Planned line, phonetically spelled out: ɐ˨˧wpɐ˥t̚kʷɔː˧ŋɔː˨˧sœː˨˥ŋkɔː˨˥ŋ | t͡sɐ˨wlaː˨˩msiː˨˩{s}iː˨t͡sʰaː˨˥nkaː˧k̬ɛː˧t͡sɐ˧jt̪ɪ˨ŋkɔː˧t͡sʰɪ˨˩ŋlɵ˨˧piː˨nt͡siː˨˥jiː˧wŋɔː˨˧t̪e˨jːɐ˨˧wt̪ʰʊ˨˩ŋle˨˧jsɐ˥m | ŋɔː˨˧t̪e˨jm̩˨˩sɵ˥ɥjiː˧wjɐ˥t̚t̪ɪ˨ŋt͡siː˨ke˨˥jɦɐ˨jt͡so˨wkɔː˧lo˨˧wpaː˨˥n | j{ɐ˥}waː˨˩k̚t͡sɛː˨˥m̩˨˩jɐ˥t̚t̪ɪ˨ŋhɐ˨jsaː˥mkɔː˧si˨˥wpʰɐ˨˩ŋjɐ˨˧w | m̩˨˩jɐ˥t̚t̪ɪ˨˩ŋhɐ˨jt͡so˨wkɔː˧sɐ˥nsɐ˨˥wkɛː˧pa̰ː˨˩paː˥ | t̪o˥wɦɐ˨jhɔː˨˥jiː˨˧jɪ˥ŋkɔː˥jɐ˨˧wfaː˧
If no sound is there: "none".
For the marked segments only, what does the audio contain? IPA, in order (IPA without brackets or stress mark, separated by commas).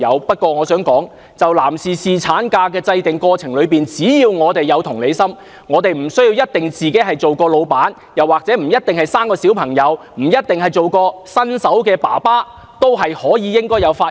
s, ɐ˨˩